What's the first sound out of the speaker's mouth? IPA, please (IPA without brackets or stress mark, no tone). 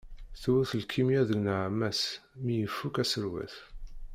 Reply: θ